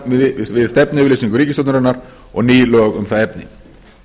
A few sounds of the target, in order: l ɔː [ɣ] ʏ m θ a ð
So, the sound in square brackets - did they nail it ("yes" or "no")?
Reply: yes